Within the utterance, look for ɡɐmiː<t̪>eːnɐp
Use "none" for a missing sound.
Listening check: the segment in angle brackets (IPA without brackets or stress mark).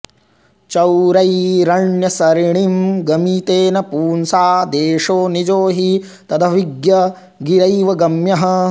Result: t̪